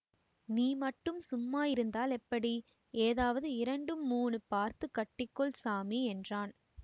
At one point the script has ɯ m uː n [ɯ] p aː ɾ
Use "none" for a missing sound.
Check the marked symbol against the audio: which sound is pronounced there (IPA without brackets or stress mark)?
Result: ɯ